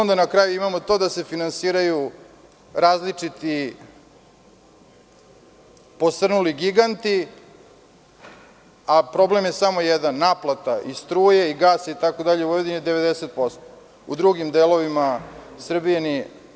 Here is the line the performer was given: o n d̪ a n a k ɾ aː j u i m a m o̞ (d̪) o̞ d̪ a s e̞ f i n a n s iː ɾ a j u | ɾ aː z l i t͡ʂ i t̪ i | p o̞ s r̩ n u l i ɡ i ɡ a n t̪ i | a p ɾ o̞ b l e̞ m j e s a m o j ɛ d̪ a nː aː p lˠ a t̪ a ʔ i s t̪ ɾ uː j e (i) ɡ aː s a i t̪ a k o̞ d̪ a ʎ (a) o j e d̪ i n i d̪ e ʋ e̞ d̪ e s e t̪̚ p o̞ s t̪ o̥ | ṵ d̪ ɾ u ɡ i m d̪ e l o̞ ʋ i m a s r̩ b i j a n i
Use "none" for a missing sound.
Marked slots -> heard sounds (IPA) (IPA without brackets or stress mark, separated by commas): t̪, i, e